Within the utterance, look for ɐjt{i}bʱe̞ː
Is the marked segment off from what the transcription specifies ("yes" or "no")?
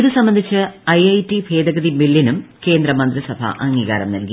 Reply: no